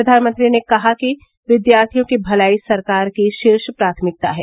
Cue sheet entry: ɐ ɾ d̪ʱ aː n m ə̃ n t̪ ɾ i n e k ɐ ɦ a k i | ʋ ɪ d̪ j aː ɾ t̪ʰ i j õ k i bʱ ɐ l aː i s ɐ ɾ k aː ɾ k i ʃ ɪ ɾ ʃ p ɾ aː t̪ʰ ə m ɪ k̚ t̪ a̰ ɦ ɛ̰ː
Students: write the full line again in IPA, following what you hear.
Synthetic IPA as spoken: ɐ d̪ʱ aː n m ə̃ n t̪ ɾ i n e k ɐ ɦ a k i | ʋ ɪ d̪ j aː ɾ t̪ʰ i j õ k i bʱ ɐ l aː i s ɐ ɾ k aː ɾ k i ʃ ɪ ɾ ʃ p ɾ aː t̪ʰ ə m ɪ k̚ t̪ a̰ ɦ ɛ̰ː